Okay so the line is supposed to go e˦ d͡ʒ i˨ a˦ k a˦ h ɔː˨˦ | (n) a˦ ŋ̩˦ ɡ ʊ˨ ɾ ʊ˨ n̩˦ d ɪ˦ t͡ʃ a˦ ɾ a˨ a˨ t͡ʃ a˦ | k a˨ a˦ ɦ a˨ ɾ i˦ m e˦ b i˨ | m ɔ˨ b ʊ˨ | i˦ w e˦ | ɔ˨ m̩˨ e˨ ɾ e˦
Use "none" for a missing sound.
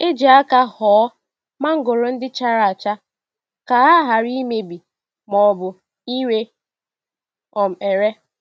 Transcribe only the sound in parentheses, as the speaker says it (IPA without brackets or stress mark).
m